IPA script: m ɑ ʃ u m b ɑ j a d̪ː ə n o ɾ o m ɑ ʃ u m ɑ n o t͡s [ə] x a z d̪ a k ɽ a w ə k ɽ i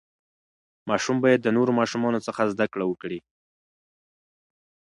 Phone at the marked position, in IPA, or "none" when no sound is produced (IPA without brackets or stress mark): ə